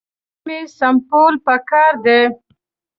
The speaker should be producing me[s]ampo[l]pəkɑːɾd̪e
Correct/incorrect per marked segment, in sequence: correct, correct

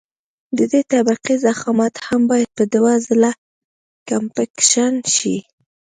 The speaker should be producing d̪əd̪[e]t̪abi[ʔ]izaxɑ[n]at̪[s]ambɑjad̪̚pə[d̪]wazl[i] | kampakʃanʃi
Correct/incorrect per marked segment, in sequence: correct, incorrect: q, incorrect: m, incorrect: h, correct, incorrect: a

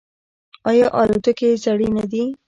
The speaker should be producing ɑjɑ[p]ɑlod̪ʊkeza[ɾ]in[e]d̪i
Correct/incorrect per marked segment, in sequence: incorrect: ʔ, incorrect: ɽ, incorrect: a

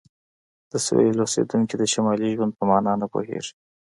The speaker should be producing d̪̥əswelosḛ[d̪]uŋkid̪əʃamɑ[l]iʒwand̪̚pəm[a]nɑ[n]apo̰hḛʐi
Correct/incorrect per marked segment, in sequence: correct, correct, incorrect: ɑ, correct

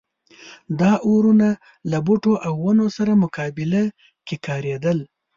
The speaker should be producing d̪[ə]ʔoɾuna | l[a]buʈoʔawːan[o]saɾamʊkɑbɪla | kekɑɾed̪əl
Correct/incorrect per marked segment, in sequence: incorrect: ɑ, correct, correct

